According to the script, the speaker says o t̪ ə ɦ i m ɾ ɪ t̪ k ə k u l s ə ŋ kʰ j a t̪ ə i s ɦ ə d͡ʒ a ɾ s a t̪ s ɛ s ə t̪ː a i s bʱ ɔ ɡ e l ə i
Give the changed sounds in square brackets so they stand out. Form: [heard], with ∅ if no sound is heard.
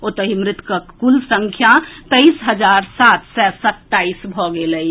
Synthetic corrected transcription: o t̪ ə ɦ i m ɾ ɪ t̪ k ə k u l s ə ŋ kʰ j a t̪ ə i s ɦ ə d͡ʒ a ɾ s a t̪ s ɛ s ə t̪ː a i s bʱ ɔ ɡ e l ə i